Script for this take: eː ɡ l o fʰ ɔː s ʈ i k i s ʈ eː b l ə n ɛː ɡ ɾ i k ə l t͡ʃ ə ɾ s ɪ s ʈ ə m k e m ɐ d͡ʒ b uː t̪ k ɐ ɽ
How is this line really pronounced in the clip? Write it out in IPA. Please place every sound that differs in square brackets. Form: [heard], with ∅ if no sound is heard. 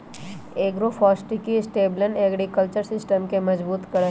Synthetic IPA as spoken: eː ɡ [ɾ] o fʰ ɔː s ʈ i k i s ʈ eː b l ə n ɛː ɡ ɾ i k ə l t͡ʃ ə ɾ s ɪ s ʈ ə m k e m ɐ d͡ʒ b uː t̪ k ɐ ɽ